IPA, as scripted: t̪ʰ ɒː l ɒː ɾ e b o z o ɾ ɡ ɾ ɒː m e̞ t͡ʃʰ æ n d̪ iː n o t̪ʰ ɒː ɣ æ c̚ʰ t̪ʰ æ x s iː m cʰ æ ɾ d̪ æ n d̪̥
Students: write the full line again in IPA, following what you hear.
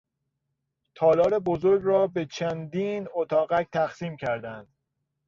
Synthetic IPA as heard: t̪ʰ ɒː l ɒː ɾ e b o z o ɾ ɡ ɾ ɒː b e̞ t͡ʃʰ æ n d̪ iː n o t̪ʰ ɒː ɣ æ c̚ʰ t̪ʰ æ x s iː m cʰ æ ɾ d̪ æ n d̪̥